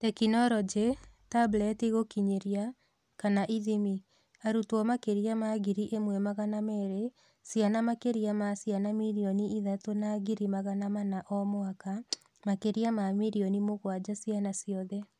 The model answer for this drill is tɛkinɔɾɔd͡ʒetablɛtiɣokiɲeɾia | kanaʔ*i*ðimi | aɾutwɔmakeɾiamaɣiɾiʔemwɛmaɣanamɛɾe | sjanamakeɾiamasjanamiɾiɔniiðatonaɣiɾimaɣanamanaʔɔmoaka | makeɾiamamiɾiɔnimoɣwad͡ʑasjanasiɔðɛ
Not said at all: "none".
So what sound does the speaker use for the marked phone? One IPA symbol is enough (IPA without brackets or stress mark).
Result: i